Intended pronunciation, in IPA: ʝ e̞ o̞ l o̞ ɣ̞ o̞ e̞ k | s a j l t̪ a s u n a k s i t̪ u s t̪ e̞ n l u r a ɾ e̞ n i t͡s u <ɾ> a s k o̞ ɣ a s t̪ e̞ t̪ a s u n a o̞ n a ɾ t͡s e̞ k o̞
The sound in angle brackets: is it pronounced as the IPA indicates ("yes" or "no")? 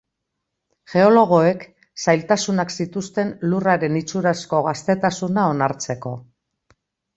yes